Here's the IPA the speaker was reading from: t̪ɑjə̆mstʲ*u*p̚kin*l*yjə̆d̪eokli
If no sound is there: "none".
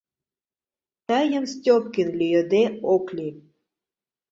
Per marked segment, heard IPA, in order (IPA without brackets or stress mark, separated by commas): o, l